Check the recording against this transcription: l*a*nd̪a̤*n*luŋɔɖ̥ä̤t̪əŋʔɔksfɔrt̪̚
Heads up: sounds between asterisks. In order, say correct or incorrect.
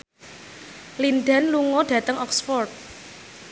incorrect, correct

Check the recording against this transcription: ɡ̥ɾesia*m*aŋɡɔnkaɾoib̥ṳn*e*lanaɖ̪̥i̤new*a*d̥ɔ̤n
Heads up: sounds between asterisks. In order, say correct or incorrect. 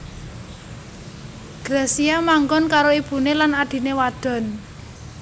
correct, correct, correct

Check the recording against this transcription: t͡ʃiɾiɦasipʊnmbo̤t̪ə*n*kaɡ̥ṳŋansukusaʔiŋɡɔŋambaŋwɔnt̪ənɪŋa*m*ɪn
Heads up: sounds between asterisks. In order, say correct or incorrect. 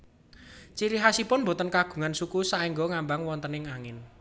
correct, incorrect

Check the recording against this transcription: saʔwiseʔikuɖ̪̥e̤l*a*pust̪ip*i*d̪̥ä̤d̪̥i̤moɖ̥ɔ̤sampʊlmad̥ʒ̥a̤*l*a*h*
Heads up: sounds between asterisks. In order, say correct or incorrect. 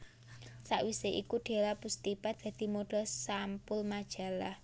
correct, incorrect, correct, correct

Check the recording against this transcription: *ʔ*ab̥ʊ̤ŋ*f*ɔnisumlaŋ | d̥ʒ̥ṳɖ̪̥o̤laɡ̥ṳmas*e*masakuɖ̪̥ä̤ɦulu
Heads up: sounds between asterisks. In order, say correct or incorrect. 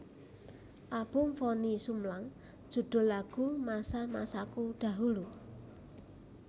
correct, correct, incorrect

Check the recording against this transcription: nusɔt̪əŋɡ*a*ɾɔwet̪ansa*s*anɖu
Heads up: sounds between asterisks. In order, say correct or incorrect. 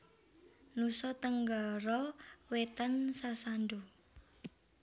correct, correct

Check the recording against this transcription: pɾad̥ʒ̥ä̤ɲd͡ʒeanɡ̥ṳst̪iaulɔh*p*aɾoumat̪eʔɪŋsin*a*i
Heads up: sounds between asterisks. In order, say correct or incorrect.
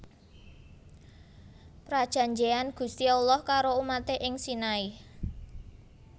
incorrect, correct

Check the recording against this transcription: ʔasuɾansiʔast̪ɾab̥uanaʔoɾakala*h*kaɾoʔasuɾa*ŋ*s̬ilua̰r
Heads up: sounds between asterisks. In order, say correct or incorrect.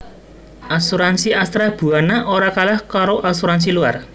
correct, incorrect

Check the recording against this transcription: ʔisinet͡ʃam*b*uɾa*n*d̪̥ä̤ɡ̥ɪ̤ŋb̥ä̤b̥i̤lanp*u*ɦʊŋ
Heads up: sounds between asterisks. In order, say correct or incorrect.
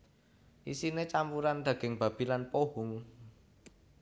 incorrect, correct, incorrect

